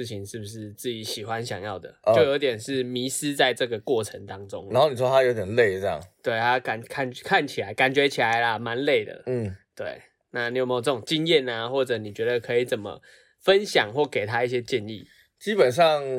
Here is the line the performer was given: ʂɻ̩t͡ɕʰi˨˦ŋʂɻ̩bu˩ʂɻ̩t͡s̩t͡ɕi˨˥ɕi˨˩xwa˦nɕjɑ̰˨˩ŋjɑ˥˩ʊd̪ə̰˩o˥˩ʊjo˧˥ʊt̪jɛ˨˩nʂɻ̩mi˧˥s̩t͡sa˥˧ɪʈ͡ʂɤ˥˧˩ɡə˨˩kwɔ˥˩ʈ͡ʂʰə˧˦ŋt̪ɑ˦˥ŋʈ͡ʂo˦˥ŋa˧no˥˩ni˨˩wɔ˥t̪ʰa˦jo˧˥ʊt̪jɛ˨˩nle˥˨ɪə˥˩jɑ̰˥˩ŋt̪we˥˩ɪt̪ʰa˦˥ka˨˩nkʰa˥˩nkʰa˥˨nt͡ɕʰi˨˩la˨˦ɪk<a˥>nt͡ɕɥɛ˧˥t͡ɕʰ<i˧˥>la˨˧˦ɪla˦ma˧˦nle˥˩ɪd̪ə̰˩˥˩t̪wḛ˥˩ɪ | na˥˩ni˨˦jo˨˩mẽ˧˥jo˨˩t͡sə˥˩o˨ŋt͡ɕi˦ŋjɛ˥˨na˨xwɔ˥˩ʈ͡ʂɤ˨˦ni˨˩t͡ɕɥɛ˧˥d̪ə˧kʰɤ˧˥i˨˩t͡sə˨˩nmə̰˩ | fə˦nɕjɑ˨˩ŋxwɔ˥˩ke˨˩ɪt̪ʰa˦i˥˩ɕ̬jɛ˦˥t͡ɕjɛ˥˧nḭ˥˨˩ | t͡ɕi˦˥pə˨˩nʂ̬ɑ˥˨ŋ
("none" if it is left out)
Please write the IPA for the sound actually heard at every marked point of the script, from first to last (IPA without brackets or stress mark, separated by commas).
a˨˩, i˨˩